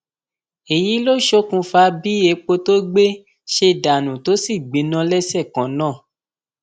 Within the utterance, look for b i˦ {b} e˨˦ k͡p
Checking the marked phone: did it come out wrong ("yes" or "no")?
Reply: yes